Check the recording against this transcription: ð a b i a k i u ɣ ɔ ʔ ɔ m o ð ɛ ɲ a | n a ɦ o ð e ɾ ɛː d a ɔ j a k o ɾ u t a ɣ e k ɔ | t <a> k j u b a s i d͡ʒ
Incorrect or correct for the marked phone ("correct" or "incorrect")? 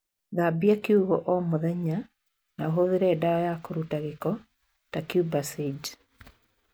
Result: correct